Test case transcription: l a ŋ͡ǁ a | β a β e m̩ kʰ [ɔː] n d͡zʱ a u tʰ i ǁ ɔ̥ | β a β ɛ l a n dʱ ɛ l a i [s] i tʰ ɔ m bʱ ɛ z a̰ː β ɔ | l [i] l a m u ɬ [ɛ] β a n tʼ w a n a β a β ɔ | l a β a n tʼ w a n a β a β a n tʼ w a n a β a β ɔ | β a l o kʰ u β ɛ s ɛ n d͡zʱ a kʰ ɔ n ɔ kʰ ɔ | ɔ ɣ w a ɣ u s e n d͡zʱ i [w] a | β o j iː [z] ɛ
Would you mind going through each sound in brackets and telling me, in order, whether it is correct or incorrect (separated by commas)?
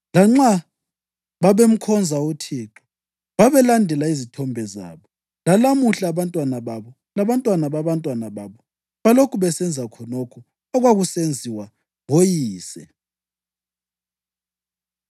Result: incorrect, incorrect, incorrect, incorrect, correct, incorrect